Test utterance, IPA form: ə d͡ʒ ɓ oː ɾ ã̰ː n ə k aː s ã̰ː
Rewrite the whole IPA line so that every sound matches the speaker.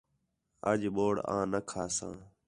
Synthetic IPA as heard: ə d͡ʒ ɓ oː ɽ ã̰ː n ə kʰ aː s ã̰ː